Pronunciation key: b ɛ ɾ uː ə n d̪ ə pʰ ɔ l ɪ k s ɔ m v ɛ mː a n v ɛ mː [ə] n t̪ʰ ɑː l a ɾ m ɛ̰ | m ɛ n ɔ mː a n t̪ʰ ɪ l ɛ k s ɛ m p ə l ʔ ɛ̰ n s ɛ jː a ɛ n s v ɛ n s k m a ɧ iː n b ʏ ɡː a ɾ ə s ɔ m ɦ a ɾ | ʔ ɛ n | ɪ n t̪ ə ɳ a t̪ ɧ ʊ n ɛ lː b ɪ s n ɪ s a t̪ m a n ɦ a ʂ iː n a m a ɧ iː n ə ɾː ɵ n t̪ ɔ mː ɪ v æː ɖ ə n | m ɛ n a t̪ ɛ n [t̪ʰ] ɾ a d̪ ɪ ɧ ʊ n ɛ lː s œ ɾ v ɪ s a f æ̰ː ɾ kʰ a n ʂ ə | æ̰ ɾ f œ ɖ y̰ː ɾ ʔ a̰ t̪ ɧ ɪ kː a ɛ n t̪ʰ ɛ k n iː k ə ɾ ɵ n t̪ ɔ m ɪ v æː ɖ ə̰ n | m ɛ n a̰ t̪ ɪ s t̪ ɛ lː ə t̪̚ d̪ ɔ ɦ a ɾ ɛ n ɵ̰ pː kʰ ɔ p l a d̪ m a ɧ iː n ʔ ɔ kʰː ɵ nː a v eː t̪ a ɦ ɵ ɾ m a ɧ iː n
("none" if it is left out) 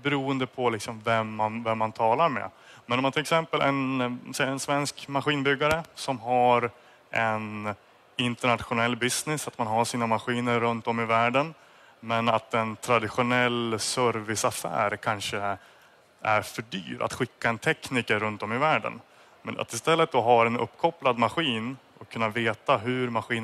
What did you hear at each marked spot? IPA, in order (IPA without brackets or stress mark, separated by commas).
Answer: a, t̪ʰ